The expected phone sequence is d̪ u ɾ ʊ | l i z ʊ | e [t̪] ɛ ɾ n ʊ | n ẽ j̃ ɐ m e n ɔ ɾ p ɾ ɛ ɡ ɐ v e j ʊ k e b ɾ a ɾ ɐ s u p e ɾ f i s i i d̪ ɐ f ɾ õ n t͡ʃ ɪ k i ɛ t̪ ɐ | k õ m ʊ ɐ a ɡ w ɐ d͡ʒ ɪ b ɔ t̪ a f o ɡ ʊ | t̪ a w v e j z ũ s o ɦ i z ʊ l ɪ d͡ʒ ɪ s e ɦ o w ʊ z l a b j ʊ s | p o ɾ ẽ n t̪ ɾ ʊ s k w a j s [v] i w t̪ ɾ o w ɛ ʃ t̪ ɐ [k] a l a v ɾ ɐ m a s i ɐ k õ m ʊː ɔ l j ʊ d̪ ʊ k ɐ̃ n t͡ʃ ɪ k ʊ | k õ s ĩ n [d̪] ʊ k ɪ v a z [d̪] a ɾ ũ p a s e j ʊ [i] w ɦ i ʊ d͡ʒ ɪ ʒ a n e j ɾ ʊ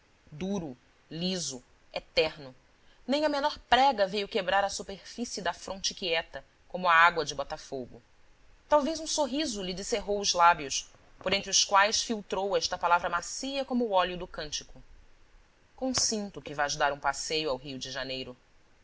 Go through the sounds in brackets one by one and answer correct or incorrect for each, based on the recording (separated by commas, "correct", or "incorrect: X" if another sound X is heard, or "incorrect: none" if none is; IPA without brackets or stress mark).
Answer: correct, incorrect: f, incorrect: p, incorrect: t̪, correct, incorrect: a